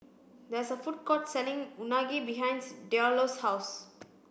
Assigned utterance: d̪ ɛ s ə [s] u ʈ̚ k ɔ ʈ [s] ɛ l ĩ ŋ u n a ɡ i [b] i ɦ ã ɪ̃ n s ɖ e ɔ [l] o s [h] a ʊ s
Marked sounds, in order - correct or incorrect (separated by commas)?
incorrect, correct, correct, correct, correct